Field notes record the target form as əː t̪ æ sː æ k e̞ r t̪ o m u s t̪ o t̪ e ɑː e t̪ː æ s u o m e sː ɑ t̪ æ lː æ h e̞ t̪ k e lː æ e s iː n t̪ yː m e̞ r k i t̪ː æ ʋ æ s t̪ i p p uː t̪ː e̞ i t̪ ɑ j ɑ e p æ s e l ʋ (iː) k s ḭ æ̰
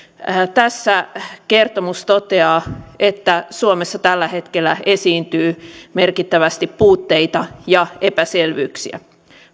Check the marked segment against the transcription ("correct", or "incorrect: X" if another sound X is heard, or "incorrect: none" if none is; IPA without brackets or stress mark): incorrect: yː